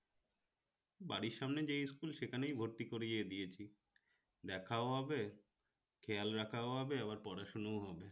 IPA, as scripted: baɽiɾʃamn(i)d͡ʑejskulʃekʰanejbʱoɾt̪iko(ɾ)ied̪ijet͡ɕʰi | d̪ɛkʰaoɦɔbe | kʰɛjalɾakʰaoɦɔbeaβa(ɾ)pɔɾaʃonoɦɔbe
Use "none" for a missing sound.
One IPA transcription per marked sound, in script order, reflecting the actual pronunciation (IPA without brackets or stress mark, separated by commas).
e, ɾ, ɾ